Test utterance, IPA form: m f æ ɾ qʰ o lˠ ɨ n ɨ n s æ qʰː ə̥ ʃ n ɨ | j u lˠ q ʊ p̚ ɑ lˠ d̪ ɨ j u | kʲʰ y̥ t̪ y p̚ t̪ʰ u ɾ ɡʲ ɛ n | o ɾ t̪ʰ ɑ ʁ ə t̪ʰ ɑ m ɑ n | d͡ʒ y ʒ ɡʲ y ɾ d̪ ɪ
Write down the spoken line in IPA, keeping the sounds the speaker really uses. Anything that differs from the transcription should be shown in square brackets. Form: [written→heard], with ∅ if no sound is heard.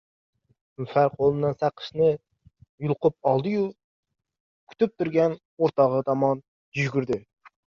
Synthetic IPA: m f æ ɾ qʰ o lˠ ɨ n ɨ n s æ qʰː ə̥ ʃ n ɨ | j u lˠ q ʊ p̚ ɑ lˠ d̪ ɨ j u | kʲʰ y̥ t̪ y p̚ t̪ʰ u ɾ ɡʲ ɛ n | o ɾ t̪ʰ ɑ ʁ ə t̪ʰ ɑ m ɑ n | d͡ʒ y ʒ ɡʲ y ɾ d̪ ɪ